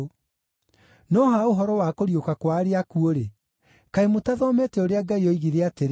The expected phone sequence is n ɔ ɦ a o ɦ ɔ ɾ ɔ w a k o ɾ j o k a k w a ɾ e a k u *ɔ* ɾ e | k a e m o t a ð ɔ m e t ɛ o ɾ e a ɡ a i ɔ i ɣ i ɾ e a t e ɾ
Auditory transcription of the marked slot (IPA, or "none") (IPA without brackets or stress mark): o